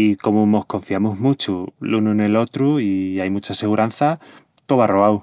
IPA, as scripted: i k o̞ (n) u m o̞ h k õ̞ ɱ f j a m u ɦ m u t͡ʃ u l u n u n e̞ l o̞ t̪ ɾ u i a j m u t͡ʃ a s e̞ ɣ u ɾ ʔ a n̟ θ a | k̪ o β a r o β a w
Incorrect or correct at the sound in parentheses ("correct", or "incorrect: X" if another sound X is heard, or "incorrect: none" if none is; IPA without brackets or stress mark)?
incorrect: m